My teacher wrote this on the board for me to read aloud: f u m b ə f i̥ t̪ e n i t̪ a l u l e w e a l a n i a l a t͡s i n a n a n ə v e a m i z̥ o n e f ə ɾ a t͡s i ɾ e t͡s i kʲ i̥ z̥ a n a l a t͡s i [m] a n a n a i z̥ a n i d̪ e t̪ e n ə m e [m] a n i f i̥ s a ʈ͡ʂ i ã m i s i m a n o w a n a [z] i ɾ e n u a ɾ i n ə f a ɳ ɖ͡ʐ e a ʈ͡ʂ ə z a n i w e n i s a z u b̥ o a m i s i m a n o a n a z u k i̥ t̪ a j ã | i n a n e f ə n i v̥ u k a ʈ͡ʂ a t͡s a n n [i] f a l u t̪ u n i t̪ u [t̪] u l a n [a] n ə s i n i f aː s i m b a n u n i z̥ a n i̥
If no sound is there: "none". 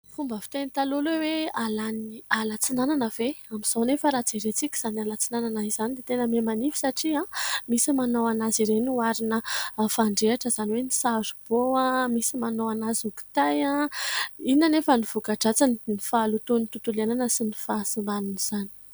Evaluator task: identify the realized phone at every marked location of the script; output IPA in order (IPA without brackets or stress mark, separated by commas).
n, m, z, i, t̪, a